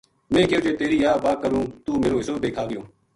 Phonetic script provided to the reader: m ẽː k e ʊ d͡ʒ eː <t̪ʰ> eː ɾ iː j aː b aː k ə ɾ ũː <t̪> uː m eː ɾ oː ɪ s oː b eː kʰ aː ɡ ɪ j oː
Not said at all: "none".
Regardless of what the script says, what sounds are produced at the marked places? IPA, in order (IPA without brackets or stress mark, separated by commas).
t̪, t̪